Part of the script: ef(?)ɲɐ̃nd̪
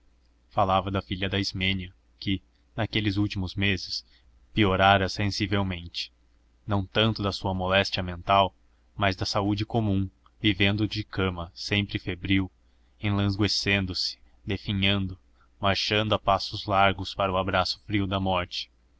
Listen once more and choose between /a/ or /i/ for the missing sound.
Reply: i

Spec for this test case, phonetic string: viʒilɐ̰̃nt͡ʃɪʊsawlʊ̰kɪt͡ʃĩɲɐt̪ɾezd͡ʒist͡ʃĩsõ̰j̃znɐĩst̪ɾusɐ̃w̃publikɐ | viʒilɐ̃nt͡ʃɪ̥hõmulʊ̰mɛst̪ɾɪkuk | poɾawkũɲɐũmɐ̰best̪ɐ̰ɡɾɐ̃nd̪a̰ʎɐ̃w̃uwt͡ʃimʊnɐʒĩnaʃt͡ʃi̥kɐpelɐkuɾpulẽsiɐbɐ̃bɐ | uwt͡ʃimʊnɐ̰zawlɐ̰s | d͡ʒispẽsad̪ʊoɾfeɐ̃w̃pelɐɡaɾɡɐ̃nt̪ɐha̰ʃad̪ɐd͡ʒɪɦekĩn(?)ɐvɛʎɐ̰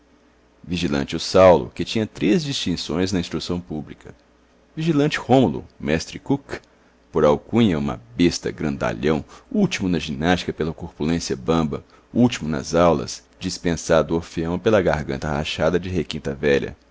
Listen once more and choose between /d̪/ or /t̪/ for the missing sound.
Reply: t̪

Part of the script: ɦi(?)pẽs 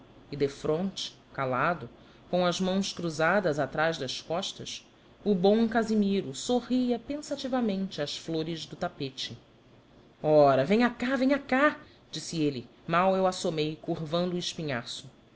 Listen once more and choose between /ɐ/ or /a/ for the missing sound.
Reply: ɐ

